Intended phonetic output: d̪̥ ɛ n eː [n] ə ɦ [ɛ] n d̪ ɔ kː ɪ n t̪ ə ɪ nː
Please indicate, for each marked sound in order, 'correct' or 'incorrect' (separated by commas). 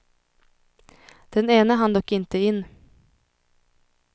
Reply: correct, incorrect